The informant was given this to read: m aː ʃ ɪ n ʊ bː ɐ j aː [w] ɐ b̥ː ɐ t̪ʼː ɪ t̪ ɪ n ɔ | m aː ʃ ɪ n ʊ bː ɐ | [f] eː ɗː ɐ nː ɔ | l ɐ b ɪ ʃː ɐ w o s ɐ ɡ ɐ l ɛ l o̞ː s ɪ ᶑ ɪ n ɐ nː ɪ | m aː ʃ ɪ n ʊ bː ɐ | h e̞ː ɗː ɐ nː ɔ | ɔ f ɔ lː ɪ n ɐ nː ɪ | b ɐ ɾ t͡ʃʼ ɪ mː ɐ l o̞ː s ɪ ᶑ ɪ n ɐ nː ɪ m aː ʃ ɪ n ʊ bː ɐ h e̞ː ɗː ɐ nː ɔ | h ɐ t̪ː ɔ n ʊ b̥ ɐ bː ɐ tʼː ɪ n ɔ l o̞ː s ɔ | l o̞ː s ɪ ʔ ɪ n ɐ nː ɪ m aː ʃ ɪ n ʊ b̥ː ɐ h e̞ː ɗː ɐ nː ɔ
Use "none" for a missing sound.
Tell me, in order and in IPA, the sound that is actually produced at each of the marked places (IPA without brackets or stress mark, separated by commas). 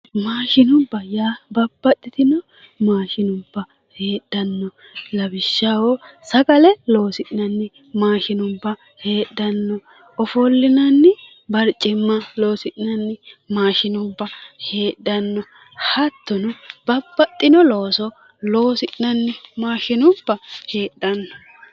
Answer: b, h